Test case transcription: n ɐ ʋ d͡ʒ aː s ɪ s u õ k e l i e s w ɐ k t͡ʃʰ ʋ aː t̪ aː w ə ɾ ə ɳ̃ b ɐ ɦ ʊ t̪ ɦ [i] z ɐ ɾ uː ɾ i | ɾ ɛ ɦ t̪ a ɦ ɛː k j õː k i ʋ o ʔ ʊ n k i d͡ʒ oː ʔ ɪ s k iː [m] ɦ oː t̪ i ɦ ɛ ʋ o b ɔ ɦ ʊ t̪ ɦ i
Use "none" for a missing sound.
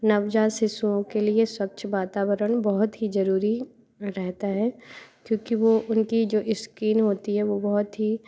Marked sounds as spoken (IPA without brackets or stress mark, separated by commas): i, n